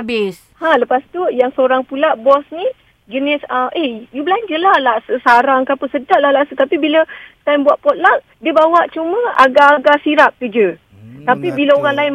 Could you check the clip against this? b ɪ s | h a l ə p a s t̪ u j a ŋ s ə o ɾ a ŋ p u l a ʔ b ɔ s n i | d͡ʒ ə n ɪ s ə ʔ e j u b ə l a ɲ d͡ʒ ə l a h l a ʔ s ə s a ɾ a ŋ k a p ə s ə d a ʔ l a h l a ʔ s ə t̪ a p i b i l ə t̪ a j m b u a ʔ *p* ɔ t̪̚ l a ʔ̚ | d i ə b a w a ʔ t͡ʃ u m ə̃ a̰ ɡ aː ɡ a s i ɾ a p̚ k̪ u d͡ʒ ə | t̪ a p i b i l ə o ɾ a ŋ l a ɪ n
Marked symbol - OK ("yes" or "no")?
yes